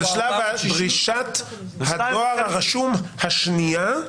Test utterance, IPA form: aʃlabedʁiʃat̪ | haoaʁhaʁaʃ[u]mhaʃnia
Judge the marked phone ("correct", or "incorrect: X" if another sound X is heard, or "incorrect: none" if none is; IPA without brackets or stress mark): correct